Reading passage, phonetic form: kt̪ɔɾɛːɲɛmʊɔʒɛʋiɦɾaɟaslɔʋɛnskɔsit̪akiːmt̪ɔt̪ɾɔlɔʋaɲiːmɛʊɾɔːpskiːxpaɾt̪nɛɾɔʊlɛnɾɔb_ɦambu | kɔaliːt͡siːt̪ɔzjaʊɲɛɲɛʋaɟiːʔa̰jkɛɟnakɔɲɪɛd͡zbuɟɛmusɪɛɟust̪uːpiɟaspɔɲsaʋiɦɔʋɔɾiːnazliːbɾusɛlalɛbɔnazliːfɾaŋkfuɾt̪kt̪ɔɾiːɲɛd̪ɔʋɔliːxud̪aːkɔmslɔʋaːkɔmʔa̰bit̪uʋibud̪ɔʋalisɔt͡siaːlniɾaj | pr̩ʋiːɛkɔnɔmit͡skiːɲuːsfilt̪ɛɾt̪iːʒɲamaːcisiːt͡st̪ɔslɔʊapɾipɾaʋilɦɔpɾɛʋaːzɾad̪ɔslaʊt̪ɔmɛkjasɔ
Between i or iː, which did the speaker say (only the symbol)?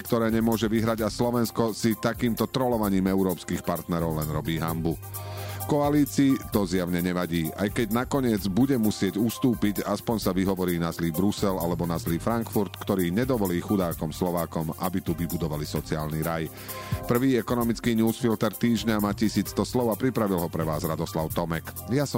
iː